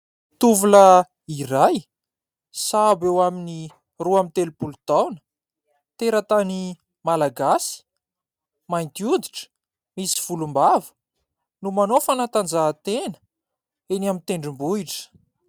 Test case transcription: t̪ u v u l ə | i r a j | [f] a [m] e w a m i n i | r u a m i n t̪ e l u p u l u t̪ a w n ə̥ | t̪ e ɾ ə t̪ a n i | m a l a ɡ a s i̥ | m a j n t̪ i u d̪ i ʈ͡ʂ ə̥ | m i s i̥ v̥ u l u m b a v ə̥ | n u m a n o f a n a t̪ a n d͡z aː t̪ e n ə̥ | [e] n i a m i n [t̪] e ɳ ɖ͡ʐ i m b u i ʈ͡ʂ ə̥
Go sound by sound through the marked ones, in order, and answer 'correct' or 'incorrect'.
incorrect: s, incorrect: b, correct, correct

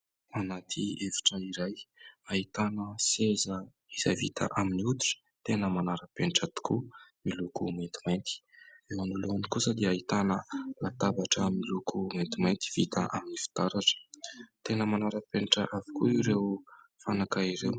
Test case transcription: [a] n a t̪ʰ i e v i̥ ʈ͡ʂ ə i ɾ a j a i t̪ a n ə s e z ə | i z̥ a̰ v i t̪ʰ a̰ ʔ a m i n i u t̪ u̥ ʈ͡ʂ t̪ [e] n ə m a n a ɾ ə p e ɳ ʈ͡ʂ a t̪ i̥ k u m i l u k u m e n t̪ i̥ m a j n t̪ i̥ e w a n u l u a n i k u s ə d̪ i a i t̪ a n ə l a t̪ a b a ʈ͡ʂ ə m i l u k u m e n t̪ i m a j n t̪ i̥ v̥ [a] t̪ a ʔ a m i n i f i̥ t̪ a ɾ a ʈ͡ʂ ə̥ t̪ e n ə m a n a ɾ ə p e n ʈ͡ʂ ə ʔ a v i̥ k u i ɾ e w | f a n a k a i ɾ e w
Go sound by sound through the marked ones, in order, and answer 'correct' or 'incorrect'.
correct, correct, incorrect: i

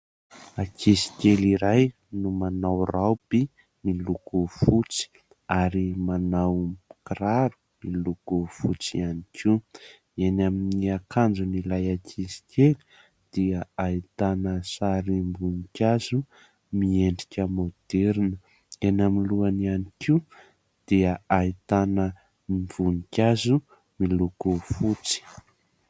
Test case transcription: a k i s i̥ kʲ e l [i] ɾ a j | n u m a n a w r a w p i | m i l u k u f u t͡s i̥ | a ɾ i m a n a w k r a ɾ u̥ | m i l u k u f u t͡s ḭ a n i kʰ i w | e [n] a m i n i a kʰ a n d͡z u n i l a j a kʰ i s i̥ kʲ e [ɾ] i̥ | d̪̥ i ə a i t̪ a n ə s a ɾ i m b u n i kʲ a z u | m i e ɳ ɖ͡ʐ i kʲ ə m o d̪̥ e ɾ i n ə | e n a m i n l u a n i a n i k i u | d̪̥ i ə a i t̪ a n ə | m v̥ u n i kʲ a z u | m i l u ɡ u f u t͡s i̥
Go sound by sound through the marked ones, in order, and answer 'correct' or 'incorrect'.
correct, correct, incorrect: l

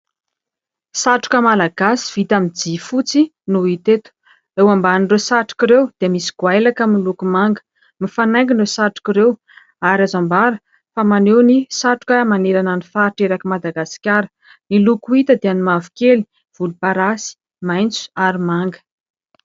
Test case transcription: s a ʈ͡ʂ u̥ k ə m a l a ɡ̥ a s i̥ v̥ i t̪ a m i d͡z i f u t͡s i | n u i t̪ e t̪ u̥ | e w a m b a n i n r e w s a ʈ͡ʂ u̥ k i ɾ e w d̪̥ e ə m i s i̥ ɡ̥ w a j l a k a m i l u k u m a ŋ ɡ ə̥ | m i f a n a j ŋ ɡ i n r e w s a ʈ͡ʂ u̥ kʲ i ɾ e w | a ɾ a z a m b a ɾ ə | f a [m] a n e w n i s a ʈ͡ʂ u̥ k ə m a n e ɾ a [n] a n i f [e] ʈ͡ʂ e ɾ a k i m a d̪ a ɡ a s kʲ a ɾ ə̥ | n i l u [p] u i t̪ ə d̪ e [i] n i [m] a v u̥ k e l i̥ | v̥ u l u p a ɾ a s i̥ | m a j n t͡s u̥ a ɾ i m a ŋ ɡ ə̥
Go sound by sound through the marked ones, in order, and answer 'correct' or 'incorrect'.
correct, correct, incorrect: a, incorrect: k, incorrect: a, correct

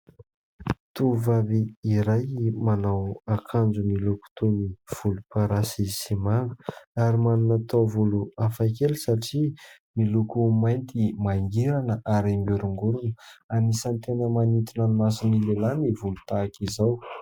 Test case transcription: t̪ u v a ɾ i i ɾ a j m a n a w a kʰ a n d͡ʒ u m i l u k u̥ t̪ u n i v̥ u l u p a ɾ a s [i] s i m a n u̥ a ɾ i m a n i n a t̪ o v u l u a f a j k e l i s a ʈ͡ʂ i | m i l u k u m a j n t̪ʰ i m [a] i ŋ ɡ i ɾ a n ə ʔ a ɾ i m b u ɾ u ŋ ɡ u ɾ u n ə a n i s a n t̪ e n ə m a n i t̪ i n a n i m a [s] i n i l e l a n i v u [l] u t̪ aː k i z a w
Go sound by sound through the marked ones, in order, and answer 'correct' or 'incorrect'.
correct, correct, correct, correct

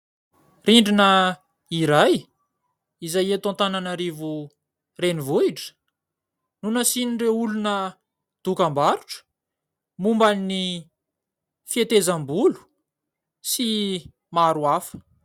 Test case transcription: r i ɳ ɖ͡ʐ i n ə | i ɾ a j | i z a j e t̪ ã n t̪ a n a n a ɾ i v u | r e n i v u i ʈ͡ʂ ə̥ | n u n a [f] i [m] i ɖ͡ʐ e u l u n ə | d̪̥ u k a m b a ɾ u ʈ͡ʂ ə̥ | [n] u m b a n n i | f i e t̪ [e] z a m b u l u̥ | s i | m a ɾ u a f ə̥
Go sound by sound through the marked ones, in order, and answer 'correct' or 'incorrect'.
incorrect: s, incorrect: n, incorrect: m, correct

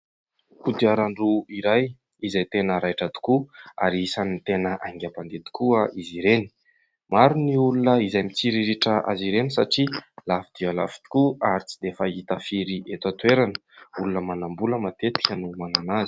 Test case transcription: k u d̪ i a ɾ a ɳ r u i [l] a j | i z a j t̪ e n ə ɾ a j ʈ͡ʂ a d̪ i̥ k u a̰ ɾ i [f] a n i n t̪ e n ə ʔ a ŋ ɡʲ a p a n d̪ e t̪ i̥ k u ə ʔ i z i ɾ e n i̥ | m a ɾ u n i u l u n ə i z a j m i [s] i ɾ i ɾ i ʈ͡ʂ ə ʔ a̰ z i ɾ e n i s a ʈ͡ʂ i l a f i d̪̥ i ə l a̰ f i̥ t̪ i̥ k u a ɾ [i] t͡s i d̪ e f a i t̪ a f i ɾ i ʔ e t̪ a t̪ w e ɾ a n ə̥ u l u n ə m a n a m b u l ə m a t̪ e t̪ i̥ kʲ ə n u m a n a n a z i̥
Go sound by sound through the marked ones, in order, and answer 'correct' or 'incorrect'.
incorrect: ɾ, incorrect: s, incorrect: t͡s, correct

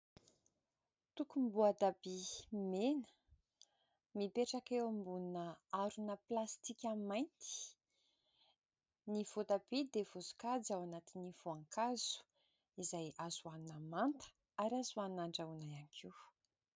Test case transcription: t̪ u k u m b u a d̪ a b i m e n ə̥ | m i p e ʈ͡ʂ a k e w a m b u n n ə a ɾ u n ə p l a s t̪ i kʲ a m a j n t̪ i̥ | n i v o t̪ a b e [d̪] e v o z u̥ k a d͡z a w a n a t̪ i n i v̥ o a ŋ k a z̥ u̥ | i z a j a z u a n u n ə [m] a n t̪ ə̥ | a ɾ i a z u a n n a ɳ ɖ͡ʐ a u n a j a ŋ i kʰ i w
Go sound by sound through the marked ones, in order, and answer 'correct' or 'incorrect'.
correct, correct

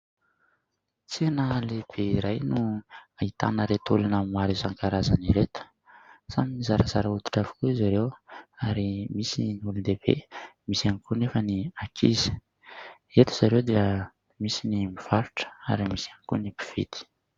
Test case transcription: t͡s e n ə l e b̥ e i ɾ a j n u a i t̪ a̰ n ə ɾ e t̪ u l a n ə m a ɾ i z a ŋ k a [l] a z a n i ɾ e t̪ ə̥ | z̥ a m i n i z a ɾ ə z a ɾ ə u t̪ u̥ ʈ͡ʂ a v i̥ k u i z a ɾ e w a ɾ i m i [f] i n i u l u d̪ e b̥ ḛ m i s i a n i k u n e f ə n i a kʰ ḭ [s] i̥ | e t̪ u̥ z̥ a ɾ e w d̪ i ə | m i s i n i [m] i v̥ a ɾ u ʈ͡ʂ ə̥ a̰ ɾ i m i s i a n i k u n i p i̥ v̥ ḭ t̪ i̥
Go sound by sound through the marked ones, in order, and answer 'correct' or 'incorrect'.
incorrect: ɾ, incorrect: s, incorrect: z, correct

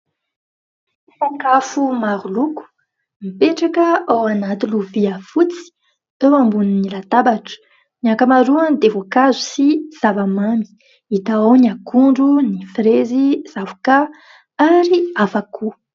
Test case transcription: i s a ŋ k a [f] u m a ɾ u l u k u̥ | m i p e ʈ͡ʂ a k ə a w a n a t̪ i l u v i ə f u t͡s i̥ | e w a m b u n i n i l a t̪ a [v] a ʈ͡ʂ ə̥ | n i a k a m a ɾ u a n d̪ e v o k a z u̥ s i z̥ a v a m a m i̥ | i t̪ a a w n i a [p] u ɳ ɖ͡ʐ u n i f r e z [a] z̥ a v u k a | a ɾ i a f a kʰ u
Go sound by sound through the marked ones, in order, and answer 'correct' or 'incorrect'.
correct, incorrect: b, incorrect: k, incorrect: i

